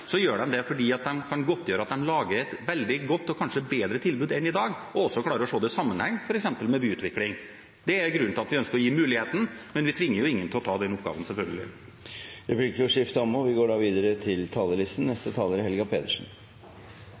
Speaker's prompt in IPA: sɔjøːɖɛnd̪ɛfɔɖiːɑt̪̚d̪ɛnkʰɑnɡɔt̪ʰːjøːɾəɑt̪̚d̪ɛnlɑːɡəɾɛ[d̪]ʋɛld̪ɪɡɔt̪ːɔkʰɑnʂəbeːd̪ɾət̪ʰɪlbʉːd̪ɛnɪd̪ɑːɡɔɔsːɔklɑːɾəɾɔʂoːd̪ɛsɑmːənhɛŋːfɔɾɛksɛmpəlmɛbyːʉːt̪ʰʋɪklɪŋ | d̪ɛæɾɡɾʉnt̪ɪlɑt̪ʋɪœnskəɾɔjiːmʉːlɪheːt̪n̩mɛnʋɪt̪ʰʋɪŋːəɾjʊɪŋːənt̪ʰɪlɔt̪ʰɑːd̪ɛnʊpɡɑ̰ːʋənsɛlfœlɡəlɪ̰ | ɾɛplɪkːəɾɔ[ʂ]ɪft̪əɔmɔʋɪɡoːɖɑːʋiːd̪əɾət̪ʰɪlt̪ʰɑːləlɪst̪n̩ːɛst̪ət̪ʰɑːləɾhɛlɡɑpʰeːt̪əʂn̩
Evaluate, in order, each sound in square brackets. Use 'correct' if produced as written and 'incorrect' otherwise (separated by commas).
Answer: incorrect, correct